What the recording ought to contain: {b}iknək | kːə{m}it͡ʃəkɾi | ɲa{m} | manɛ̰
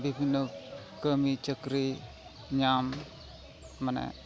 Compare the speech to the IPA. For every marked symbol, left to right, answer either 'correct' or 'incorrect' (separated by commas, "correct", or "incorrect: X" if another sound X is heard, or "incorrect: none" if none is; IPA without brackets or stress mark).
correct, correct, correct